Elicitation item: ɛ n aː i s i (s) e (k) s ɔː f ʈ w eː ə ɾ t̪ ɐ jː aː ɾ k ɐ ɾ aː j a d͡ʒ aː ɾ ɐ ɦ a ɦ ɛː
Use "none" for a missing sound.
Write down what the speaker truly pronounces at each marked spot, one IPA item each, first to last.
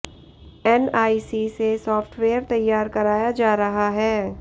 s, none

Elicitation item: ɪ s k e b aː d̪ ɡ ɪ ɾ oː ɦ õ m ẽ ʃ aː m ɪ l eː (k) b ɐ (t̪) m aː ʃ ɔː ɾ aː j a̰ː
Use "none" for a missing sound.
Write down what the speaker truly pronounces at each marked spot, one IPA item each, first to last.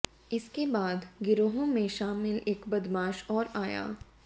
k, d̪

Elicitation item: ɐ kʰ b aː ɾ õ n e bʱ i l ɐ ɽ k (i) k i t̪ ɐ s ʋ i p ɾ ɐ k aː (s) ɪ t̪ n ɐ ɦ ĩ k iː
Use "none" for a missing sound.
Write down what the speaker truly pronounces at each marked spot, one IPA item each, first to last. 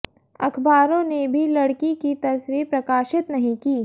i, ʃ

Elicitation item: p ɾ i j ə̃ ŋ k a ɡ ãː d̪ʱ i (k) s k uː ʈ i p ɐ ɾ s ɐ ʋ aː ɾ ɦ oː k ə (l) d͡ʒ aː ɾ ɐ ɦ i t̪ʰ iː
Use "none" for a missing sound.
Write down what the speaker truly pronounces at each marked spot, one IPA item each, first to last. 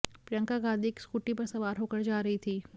k, ɾ

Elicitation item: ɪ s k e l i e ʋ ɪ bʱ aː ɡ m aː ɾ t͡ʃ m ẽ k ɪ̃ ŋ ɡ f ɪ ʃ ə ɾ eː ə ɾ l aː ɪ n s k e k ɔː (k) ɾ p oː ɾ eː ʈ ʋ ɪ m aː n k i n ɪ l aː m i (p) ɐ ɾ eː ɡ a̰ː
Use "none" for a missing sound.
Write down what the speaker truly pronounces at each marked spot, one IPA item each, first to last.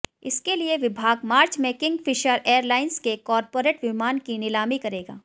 none, k

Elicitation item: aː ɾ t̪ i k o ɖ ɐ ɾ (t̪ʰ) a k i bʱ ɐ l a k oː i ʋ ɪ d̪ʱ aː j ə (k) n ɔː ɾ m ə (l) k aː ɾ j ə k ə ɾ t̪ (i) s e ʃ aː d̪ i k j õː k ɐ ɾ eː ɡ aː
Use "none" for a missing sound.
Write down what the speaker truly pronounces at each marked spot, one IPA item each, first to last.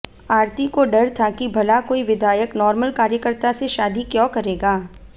t̪ʰ, k, l, a

